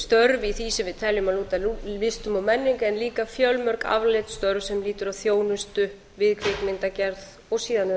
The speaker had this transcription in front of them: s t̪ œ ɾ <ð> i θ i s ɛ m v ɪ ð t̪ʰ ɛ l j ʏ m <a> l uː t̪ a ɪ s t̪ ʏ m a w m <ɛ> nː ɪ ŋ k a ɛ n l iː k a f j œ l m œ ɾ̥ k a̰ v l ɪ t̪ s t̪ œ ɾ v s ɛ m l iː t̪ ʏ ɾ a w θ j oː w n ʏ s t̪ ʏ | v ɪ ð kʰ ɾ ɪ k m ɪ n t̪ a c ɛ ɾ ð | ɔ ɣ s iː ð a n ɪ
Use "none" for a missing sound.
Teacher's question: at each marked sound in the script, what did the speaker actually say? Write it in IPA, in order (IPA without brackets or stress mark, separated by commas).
v, a, ɛ